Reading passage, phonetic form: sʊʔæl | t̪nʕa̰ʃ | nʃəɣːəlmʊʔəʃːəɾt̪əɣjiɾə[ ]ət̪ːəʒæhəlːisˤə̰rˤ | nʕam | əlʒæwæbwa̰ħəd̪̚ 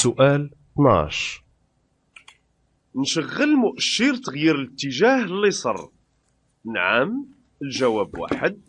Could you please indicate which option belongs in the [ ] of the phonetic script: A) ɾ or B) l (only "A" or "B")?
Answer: B